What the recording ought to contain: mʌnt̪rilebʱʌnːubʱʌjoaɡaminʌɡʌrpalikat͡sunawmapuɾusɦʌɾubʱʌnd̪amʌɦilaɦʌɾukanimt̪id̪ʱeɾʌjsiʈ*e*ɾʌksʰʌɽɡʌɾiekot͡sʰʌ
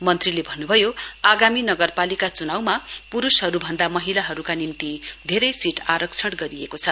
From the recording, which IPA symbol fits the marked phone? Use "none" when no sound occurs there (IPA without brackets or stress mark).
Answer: a